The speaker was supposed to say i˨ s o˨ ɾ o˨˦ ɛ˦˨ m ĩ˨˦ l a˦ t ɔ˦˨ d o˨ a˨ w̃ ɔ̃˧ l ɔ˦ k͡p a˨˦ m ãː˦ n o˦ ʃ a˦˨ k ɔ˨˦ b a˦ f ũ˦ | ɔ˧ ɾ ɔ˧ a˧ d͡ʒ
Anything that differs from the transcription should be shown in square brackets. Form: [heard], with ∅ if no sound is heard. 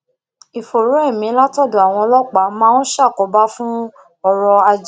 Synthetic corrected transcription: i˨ [f] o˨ ɾ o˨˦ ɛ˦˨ m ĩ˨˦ l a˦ t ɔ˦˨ d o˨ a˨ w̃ ɔ̃˧ l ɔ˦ k͡p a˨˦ m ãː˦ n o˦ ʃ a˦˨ k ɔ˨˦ b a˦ f ũ˦ | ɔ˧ ɾ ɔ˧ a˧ d͡ʒ